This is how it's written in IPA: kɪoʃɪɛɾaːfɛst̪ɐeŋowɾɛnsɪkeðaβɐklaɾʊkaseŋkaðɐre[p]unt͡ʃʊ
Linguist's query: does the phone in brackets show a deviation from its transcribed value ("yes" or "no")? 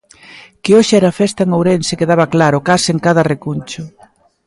yes